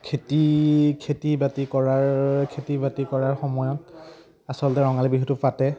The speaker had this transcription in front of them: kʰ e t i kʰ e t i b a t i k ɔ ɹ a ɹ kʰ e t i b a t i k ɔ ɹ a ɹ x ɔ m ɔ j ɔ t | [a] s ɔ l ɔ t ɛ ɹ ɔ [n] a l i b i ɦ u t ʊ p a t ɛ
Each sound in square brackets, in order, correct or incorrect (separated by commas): correct, incorrect